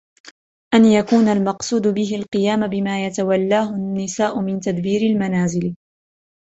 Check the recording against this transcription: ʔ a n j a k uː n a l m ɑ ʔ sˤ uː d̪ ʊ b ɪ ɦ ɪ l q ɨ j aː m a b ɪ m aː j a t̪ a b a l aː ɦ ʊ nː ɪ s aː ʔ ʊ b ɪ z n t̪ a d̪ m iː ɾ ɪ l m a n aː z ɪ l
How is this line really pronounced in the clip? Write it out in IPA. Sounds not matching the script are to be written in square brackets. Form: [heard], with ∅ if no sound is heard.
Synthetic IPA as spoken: ʔ a n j a k uː n a l m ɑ [q] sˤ uː d̪ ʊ b ɪ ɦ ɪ l q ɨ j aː m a b ɪ m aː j a t̪ a [w] a [lː] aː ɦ ʊ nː ɪ s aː ʔ ʊ [m] ɪ [∅] n t̪ a d̪ [b] iː ɾ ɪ l m a n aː z ɪ l